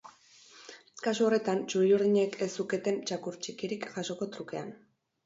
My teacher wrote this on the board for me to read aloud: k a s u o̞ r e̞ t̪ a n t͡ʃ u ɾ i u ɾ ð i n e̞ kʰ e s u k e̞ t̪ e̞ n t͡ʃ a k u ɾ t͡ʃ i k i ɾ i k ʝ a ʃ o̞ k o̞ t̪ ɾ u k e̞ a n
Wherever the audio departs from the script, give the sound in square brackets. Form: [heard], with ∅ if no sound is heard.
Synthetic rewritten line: k a s u o̞ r e̞ t̪ a n t͡ʃ u ɾ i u ɾ ð i [ɲ] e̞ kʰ e s u k e̞ t̪ e̞ n t͡ʃ a k u ɾ t͡ʃ i k i ɾ i k ʝ a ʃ o̞ k o̞ t̪ ɾ u k e̞ a n